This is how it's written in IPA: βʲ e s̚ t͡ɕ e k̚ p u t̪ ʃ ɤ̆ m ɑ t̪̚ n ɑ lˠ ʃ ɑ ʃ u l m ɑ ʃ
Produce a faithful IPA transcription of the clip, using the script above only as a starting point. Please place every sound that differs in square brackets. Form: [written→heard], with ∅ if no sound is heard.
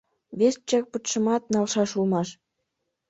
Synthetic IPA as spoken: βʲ e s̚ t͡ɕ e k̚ p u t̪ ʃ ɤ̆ m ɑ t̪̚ n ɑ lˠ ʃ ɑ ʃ u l m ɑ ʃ